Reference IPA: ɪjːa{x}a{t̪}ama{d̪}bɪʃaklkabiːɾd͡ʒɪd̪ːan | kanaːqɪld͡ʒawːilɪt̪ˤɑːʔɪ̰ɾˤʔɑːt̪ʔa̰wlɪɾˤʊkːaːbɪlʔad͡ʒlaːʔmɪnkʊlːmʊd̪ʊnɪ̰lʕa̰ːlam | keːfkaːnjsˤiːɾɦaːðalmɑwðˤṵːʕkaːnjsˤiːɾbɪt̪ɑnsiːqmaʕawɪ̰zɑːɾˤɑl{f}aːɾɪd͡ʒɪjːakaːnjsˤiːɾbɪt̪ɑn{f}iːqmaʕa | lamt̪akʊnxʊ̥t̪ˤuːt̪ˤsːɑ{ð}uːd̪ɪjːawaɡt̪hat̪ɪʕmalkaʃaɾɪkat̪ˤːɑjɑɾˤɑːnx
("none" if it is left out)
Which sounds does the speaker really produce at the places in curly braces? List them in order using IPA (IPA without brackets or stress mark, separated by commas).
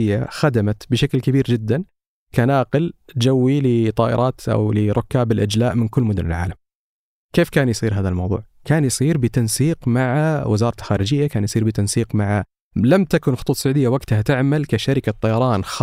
x, d̪, t̪, x, s, ʕ